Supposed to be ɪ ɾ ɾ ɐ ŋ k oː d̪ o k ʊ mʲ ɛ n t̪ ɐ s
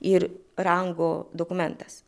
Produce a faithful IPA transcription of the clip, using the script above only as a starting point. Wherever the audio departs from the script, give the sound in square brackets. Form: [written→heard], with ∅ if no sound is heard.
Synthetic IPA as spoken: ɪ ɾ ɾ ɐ ŋ [k→ɡ] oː d̪ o k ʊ mʲ ɛ n t̪ ɐ s